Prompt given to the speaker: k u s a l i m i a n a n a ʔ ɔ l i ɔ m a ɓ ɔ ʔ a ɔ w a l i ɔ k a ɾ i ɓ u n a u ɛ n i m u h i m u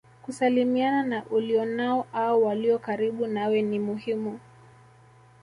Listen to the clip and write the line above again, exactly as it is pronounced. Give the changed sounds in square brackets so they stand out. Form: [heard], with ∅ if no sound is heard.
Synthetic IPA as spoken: k u s a l i m i a n a n a ʔ [u] l i ɔ [n] a [∅] ɔ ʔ a ɔ w a l i ɔ k a ɾ i ɓ u n a [w] ɛ n i m u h i m u

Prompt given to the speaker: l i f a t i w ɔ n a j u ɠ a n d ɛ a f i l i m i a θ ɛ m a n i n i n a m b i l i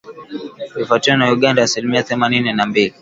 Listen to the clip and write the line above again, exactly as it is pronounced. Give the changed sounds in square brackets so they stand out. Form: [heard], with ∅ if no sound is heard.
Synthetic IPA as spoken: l i f a t i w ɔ n a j u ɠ a n d [a] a [s] i l i m i a θ ɛ m a n i n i n a m b i l i

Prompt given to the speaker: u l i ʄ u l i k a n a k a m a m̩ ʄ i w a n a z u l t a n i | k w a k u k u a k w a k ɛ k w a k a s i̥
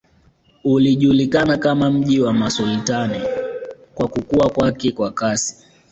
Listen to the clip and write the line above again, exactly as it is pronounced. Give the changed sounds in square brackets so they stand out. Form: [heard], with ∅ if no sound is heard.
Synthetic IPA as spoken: u l i ʄ u l i k a n a k a m a m̩ ʄ i w a [m] a [s] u l t a n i | k w a k u k u a k w a k ɛ k w a k a s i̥

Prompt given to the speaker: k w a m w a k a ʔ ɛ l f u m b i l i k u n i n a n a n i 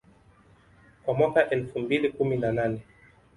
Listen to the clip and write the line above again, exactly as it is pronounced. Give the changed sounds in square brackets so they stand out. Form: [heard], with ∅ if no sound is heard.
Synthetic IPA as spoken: k w a m w a k a ʔ ɛ l f u m b i l i k u [m] i n a n a n [ɛ]

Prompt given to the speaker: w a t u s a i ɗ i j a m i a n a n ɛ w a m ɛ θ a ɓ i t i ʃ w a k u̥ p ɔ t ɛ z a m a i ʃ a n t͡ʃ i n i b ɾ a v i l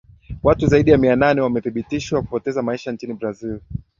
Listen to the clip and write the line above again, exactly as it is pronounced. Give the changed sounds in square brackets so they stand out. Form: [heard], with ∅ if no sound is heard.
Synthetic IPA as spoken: w a t u [z] a i ɗ i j a m i a n a n ɛ w a m ɛ θ [i] ɓ i t i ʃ w a k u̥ p ɔ t ɛ z a m a i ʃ a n t͡ʃ i n i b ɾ a [z] i l

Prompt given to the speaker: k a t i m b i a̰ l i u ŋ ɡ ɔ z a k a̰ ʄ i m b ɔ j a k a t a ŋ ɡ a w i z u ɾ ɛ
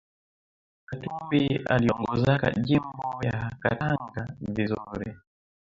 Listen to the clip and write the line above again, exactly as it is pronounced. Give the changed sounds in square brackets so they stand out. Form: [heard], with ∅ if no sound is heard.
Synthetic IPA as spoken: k a t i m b i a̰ l i [ɔ] ŋ ɡ ɔ z a k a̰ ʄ i m b ɔ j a k a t a ŋ ɡ a [v] i z u ɾ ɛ

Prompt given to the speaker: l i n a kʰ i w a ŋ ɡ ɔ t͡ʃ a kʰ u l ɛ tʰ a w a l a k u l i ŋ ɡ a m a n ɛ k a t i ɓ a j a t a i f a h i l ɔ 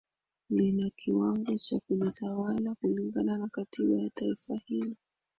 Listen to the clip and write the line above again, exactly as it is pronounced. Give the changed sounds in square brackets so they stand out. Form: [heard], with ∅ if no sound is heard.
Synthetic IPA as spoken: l i n a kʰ i w a ŋ ɡ ɔ t͡ʃ a [k] u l [i] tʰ a w a l a k u l i ŋ ɡ a [n] a n [a] k a t i ɓ a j a t a i f a h i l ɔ

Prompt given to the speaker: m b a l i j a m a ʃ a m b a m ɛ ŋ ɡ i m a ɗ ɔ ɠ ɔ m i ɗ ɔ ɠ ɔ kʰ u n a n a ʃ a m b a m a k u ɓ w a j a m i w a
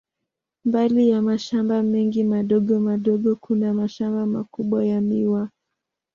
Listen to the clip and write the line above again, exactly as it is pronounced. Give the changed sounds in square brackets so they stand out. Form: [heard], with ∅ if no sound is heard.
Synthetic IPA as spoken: m b a l i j a m a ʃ a m b a m ɛ ŋ ɡ i m a ɗ ɔ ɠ ɔ m [a] ɗ ɔ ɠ ɔ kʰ u n a [m] a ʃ a m b a m a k u ɓ w a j a m i w a

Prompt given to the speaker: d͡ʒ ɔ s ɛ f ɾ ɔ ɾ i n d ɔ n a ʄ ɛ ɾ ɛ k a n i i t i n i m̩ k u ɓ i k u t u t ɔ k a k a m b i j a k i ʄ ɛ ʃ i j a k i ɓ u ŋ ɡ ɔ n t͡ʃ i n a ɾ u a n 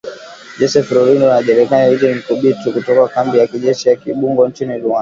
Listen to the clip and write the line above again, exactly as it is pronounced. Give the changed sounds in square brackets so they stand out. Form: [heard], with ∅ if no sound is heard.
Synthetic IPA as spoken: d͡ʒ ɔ s ɛ f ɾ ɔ ɾ i n d ɔ n a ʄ ɛ ɾ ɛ k a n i i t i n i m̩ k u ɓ i [t] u [k] u t ɔ k a k a m b i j a k i ʄ ɛ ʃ i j a k i ɓ u ŋ ɡ ɔ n t͡ʃ i n [i] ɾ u a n

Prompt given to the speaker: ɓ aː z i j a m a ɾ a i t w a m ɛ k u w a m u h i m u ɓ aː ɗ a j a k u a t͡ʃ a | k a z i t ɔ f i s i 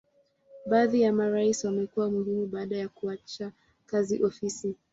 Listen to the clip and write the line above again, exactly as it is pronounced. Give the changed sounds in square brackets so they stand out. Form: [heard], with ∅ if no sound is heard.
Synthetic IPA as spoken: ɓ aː [ð] i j a m a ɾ a i [s] w a m ɛ k u w a m u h i m u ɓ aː ɗ a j a k u a t͡ʃ a | k a z i [ʔ] ɔ f i s i

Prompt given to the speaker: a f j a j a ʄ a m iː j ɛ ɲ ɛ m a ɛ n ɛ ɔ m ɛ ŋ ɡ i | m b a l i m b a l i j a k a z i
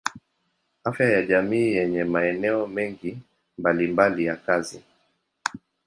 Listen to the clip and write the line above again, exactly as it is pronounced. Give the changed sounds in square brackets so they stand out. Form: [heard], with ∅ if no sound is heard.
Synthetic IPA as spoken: a f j a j a ʄ a m iː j ɛ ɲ ɛ m a ɛ n ɛ ɔ m ɛ ŋ ɡ i | m b a l i m b a l i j a k a z i

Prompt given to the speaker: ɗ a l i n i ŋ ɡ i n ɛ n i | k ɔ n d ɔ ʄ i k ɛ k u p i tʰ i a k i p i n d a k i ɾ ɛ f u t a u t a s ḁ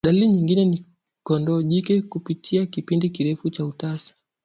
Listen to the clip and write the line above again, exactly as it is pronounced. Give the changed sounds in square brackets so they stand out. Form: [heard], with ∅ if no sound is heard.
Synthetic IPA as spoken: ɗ a l i [ɲ] i ŋ ɡ i n ɛ n i | k ɔ n d ɔ ʄ i k ɛ k u p i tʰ i a k i p i n d [i] k i ɾ ɛ f u [t͡ʃ] a u t a s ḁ

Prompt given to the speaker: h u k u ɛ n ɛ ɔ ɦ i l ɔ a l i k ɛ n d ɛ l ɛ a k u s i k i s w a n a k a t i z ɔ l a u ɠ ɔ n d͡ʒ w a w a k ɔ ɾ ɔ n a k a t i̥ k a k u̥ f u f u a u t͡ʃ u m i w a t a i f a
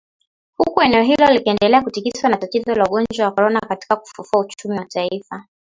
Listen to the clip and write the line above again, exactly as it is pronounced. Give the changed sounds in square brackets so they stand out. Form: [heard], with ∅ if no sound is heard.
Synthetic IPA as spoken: h u k u ɛ n ɛ ɔ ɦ i l ɔ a l i k ɛ n d ɛ l ɛ a k u [t] i k i s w a n a [t] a t i z ɔ l a u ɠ ɔ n d͡ʒ w a w a k ɔ ɾ ɔ n a k a t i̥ k a k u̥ f u f u a u t͡ʃ u m i w a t a i f a

